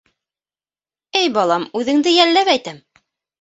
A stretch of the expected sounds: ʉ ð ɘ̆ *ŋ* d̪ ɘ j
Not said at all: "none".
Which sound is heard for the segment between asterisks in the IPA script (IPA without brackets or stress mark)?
ŋ